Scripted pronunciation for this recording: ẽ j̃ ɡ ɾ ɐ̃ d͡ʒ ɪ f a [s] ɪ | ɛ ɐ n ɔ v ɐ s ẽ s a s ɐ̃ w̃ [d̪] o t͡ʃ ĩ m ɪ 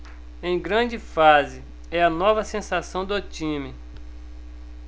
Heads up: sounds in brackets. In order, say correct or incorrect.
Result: incorrect: z, correct

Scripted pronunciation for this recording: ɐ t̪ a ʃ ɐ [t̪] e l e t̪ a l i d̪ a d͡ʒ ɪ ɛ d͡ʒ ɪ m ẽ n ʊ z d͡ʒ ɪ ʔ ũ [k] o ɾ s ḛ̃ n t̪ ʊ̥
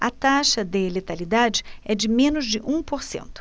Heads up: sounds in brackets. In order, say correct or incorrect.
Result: incorrect: d̪, incorrect: p

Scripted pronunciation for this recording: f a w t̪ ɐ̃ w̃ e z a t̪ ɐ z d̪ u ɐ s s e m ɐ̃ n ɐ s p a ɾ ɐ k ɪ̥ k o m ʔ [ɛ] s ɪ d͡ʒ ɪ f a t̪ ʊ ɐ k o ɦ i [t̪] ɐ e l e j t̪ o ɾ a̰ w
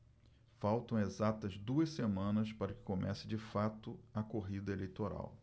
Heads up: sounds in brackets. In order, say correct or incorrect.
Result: correct, incorrect: d̪

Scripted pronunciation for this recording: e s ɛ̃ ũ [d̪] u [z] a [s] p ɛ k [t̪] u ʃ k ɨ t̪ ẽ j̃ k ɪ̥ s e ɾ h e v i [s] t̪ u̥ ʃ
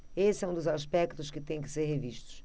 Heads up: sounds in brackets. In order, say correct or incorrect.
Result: correct, correct, incorrect: ʃ, correct, incorrect: ʃ

